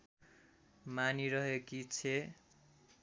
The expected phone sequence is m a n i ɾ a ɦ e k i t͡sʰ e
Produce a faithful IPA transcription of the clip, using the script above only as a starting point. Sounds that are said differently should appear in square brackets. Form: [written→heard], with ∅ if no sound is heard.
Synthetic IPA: m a n i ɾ [a→ʌ] ɦ e k i t͡sʰ e